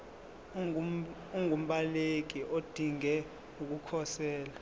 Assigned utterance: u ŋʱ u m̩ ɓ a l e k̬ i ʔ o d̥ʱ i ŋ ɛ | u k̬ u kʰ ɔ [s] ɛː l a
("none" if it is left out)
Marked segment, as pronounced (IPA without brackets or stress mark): s